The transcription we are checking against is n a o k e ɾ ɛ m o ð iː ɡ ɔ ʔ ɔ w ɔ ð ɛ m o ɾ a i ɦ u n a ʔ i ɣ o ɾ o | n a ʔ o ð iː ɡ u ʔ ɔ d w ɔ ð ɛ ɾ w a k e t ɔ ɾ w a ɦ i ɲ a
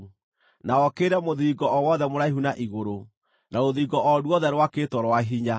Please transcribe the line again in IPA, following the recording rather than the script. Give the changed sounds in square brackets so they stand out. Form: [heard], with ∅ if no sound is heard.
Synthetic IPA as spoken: n a [ɔ] k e ɾ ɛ m o ð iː ɡ ɔ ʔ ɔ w ɔ ð ɛ m o ɾ a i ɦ u n a ʔ i ɣ o ɾ o | n a [∅] o ð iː ɡ [ɔ] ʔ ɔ d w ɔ ð ɛ ɾ w a k e t ɔ ɾ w a ɦ i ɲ a

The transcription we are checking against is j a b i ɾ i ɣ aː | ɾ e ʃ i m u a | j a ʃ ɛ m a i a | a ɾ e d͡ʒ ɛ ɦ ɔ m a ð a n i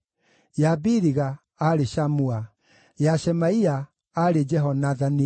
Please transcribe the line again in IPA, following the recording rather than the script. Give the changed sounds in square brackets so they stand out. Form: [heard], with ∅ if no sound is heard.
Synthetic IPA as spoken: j a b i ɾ i ɣ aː | ɾ e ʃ [a] m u a | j a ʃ ɛ m a i a | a ɾ e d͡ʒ ɛ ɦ ɔ [n] a ð a n i

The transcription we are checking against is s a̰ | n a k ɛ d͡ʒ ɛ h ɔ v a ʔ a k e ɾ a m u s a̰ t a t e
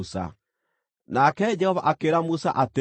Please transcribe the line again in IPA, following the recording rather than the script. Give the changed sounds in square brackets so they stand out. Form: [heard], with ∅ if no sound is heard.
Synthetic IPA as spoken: s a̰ | n a k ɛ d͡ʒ ɛ h ɔ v a ʔ a k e ɾ a m u s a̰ [ʔ] a t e

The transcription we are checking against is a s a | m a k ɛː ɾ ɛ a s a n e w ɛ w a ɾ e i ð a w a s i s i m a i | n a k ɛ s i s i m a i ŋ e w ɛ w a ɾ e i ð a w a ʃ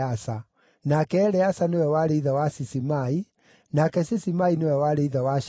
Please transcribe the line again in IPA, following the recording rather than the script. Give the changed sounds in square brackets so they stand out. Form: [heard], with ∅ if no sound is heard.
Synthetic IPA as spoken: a s a | [n] a k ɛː ɾ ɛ a s a n e w ɛ w a ɾ e i ð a w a s i s i m a i | n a k ɛ s i s i m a i [n] e w ɛ w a ɾ e i ð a w a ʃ

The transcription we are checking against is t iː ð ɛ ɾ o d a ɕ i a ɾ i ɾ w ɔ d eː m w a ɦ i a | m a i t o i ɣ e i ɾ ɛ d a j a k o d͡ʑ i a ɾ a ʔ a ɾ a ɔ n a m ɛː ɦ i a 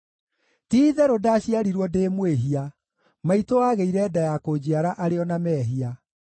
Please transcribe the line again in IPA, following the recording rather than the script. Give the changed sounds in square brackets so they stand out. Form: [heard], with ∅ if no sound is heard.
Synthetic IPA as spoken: t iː ð ɛ ɾ o d a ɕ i a ɾ i ɾ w ɔ d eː m w [e] ɦ i a | m a i t o [a] ɣ e i ɾ ɛ d a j a k o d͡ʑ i a ɾ a ʔ a ɾ [e] ɔ n a m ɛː ɦ i a

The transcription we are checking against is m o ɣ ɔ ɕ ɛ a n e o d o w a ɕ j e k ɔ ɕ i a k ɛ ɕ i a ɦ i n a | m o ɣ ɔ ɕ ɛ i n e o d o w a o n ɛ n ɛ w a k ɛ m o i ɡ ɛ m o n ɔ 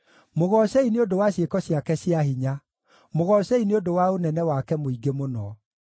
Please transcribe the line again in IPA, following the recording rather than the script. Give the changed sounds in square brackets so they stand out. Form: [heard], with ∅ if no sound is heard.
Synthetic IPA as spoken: m o ɣ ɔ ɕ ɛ [i] n e o d o w a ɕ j e k ɔ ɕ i a k ɛ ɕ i a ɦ i [ɲ] a | m o ɣ ɔ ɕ ɛ i n e o d o w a o n ɛ n ɛ w a k ɛ m o i ɡ [e] m o n ɔ

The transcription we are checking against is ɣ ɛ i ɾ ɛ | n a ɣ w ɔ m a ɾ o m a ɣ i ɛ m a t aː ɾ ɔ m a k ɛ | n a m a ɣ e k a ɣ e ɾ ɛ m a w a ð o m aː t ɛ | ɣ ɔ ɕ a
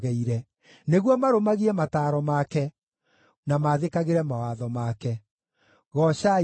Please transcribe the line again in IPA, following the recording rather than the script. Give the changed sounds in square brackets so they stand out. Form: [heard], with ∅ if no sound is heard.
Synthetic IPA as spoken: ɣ ɛ i ɾ ɛ | n [e] ɣ w ɔ m a ɾ o m a ɣ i ɛ m a t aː ɾ ɔ m a k ɛ | n a m a [ð] e k a ɣ e ɾ ɛ m a w a ð [ɔ] m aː [k] ɛ | ɣ ɔ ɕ a

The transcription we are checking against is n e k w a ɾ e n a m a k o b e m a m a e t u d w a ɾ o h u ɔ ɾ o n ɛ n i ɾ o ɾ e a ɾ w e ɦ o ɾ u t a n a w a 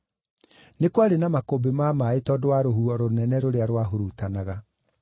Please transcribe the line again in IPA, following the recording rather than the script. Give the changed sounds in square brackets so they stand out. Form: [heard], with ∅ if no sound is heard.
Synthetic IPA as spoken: n e k w a ɾ e n a m a k o b e m a m a e t [ɔ] d w a ɾ o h u ɔ ɾ o n ɛ n [ɛ] ɾ o ɾ e a ɾ w [a] ɦ o ɾ u t a n a [ɣ] a

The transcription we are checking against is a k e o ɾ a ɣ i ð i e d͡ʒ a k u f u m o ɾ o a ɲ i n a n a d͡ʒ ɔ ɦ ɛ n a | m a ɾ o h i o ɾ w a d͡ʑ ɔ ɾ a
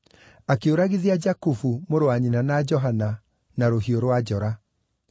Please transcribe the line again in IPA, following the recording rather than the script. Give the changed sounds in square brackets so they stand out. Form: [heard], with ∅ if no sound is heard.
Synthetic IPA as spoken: a k e o ɾ a ɣ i ð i [a] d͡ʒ a k u f u m o ɾ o a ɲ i n a n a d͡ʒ ɔ ɦ [a] n a | [n] a ɾ o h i o ɾ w a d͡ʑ ɔ ɾ a

